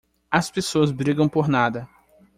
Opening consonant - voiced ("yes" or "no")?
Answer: no